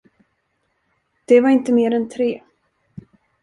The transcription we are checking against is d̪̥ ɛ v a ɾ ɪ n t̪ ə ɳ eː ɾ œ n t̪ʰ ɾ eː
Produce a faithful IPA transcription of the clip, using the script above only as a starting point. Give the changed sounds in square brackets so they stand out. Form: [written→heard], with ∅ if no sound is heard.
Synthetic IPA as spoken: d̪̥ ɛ v a ɾ ɪ n t̪ ə [ɳ→m] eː ɾ [œ→ɛ] n t̪ʰ ɾ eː